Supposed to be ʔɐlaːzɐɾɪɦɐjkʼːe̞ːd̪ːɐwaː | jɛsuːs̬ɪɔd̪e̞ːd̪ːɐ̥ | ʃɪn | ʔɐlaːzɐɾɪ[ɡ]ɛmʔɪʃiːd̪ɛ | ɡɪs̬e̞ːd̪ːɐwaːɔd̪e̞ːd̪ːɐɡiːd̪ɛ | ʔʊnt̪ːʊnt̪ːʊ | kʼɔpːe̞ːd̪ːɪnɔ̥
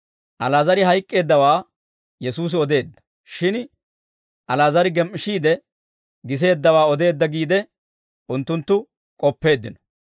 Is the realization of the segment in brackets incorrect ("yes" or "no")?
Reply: no